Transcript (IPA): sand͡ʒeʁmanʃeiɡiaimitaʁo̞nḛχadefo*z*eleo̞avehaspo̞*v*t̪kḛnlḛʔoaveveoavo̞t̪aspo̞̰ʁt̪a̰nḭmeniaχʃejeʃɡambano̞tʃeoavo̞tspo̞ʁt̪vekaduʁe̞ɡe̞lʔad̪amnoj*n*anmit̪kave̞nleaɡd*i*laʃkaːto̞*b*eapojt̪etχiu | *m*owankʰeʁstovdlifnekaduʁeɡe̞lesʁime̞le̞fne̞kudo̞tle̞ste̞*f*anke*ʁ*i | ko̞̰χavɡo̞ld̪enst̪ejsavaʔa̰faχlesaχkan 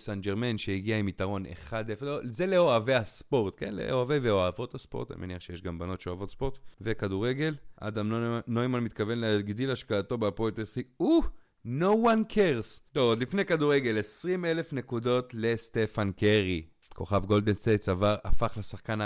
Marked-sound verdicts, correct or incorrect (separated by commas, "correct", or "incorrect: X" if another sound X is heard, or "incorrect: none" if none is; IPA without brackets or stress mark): correct, incorrect: ʁ, incorrect: m, correct, correct, incorrect: n, correct, correct